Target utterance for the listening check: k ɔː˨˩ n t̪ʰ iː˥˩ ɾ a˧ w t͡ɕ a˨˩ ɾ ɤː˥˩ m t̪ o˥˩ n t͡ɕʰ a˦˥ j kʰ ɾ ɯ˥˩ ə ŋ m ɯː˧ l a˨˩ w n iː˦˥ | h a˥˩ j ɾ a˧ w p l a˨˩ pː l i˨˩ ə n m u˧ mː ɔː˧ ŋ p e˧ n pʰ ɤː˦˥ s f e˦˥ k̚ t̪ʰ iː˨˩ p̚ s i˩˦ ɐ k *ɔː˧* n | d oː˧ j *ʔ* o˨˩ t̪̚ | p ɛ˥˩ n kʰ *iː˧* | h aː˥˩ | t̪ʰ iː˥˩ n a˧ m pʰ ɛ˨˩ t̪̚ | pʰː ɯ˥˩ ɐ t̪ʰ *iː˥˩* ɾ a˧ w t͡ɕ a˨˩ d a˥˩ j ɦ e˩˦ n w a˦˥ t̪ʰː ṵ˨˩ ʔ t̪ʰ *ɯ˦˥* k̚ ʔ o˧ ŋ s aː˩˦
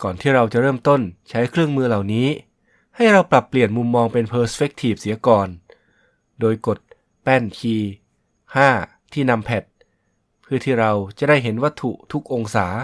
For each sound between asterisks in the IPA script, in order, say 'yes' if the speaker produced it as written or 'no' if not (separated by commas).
yes, no, yes, yes, no